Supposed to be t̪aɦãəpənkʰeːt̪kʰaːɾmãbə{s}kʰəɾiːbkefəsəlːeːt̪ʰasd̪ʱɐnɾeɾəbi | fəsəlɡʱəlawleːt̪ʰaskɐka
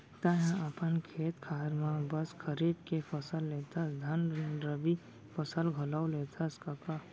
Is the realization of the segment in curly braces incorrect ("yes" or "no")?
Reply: no